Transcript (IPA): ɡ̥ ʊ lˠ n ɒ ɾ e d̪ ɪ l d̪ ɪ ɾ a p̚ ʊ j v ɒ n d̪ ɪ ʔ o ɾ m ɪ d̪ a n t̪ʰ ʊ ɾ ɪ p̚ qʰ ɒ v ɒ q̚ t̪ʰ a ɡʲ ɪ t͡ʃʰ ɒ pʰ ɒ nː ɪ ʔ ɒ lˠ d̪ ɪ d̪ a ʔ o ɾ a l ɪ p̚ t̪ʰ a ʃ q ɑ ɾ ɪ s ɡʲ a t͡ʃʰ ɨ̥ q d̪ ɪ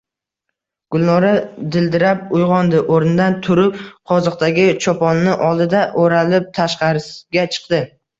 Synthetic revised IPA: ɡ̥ ʊ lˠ n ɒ ɾ a d̪ ɪ l d̪ ɪ ɾ a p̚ ʊ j ʁ ɒ n d̪ ɪ ʔ o ɾ n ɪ d̪ a n t̪ʰ ʊ ɾ ɪ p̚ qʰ ɒ z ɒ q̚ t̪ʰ a ɡʲ ɪ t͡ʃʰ ɒ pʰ ɒ nː ɪ ʔ ɒ lˠ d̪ ɪ d̪ a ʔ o ɾ a l ɪ p̚ t̪ʰ a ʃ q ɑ ɾ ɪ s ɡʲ a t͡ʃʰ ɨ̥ q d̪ ɪ